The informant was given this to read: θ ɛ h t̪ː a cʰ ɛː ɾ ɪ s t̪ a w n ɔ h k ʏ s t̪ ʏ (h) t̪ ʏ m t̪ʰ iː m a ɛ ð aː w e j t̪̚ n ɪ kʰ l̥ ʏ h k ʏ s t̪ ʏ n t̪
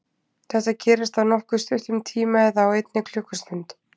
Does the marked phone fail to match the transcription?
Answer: no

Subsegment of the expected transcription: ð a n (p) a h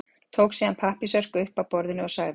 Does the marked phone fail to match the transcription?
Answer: yes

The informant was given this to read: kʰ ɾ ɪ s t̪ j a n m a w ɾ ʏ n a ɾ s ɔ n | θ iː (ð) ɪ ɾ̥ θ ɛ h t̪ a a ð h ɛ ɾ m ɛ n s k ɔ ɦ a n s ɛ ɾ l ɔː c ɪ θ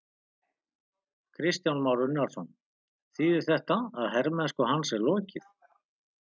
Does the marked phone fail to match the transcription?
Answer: no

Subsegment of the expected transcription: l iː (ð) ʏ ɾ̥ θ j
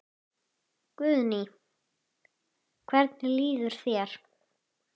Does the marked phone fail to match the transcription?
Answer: no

